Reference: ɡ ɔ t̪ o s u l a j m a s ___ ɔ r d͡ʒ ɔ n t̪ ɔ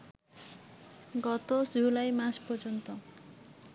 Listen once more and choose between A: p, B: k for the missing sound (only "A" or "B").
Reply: A